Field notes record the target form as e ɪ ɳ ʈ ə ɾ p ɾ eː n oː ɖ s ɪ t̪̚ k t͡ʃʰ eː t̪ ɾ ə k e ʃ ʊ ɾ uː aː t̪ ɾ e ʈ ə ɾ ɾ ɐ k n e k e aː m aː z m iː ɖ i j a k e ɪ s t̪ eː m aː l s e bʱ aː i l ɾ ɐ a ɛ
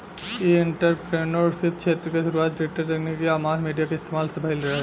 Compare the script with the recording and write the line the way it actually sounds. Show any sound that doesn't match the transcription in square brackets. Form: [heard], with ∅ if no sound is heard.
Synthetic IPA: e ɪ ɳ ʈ ə ɾ p ɾ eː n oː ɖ s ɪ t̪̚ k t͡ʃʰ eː t̪ ɾ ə k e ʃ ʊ ɾ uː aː t̪ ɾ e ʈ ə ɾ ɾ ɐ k n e k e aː m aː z m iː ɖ i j a k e ɪ s t̪ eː m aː l s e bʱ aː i l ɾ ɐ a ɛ